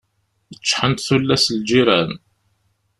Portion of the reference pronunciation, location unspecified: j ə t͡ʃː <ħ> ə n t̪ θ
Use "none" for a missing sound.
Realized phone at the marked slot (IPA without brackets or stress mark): ħ